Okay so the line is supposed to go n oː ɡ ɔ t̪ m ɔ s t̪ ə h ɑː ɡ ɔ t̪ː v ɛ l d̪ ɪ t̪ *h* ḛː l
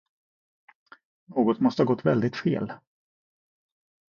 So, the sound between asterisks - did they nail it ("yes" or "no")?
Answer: no